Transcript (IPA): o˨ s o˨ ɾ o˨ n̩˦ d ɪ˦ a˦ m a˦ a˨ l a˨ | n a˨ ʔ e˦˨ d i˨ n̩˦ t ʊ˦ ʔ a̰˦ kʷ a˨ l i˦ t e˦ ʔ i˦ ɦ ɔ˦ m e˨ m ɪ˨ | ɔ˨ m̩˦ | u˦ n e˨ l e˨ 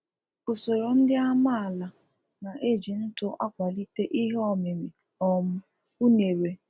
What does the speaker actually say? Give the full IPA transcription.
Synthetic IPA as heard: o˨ s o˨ ɾ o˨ n̩˦ d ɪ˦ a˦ m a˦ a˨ l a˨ | n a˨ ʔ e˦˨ d͡ʒ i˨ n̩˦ t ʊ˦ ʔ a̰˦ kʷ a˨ l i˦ t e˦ ʔ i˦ ɦ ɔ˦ m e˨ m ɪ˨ | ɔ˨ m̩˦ | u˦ n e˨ ɾ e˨

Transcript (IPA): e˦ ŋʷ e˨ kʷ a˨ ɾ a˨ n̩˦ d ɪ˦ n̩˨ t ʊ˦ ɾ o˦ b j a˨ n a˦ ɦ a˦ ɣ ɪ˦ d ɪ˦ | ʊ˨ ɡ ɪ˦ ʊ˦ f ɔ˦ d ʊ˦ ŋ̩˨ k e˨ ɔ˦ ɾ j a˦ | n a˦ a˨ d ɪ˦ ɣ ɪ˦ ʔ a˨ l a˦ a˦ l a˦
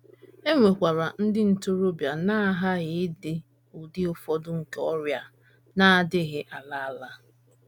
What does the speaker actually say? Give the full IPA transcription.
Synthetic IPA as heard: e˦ ŋʷ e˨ kʷ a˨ ɾ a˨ n̩˦ d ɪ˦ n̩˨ t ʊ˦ ɾ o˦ b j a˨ n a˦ ɦ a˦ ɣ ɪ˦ d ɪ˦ | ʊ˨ d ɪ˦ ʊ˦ f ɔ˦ d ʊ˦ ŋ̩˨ k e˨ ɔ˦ ɾ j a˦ | n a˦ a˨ d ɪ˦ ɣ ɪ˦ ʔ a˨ l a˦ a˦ l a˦

